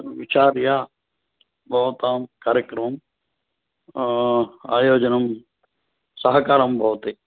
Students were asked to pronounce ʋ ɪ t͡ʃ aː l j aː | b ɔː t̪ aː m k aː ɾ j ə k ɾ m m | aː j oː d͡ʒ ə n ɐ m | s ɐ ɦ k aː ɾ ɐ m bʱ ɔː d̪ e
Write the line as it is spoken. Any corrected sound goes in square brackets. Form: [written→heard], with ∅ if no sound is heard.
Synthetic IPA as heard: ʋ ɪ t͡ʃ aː [l→ɾ] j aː | b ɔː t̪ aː m k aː ɾ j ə k ɾ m m | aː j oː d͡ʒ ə n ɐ m | s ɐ ɦ k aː ɾ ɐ m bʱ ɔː [d̪→t̪] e